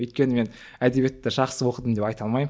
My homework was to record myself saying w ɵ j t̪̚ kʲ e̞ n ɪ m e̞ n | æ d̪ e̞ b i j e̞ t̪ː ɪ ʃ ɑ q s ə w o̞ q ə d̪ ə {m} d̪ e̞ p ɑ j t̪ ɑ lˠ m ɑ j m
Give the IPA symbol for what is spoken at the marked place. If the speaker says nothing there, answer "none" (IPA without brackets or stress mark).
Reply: m